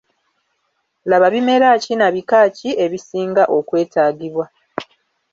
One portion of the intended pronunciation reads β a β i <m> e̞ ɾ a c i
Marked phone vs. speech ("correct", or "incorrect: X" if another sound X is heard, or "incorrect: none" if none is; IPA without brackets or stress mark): correct